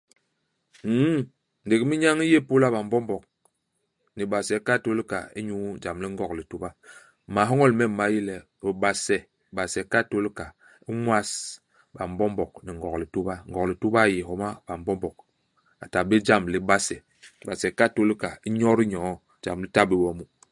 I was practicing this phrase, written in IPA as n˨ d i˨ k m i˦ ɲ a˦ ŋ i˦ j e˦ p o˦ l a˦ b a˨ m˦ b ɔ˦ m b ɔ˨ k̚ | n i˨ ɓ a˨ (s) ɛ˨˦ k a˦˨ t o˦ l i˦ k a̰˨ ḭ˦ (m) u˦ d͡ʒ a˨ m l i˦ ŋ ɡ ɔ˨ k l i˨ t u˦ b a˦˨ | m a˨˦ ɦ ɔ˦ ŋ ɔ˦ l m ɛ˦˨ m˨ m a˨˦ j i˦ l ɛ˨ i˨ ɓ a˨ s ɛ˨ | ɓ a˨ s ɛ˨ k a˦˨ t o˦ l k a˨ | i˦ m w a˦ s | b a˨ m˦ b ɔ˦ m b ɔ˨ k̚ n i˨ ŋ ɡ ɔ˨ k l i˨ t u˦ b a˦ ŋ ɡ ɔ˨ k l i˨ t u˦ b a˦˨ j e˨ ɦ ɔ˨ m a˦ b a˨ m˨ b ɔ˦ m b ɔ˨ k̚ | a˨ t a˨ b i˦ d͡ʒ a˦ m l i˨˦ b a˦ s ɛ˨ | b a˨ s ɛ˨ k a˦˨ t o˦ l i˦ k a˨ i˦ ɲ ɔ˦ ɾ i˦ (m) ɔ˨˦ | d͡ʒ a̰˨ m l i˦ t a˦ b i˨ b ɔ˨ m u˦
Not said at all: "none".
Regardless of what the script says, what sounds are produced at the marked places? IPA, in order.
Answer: s, ɲ, ɲ

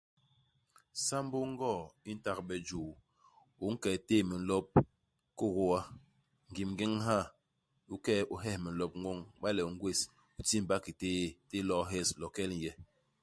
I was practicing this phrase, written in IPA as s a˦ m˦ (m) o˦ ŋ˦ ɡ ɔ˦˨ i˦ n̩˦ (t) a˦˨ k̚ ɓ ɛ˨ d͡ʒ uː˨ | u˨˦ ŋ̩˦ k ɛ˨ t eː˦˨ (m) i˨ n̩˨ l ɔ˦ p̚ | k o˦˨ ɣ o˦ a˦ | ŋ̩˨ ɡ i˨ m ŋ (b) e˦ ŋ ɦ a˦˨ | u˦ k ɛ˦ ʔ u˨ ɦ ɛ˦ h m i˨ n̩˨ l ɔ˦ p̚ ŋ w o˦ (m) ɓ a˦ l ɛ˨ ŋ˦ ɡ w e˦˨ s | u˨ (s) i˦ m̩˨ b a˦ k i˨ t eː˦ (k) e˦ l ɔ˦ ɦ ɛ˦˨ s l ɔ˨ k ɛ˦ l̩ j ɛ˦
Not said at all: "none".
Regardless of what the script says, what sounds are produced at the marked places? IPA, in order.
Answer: b, t, m, ɡ, ŋ, t, t

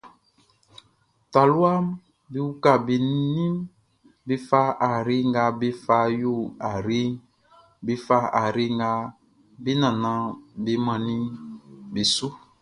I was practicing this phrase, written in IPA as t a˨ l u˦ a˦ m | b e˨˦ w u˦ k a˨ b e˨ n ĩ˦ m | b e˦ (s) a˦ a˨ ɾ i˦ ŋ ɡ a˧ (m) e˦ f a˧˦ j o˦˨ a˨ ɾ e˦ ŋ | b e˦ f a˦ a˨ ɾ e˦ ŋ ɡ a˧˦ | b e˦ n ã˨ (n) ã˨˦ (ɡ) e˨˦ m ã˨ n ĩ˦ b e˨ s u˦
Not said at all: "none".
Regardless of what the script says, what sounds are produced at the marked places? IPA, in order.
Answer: f, b, n, b

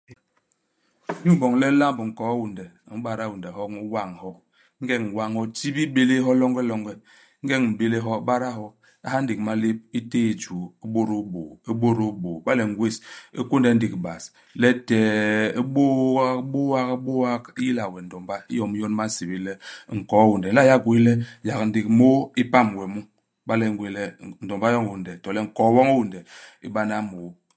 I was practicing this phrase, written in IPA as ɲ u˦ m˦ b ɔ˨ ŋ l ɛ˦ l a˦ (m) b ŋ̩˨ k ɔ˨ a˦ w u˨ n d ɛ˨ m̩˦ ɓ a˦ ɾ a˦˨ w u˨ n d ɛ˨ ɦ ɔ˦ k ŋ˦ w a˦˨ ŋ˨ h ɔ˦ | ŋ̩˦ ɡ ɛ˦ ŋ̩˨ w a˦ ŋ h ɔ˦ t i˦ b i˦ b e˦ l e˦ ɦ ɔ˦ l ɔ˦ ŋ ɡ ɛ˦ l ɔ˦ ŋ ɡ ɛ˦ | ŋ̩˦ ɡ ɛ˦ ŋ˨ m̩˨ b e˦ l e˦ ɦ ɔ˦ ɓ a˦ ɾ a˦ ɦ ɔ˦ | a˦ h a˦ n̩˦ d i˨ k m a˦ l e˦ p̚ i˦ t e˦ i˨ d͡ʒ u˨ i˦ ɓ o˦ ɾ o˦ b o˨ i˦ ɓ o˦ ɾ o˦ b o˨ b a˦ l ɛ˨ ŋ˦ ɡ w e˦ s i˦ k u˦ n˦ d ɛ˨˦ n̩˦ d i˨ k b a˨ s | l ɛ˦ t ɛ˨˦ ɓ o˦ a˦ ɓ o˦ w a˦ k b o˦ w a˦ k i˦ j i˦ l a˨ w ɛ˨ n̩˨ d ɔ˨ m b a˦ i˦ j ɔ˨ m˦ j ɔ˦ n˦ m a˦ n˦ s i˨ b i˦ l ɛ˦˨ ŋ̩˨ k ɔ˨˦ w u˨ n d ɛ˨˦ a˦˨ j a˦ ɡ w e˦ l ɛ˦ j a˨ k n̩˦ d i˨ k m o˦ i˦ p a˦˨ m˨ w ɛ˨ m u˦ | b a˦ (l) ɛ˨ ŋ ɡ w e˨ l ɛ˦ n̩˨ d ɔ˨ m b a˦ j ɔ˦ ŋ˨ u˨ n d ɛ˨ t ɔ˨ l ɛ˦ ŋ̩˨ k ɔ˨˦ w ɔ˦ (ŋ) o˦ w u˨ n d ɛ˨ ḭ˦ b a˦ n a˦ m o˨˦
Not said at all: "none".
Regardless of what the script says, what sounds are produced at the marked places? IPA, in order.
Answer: m, l, ŋ

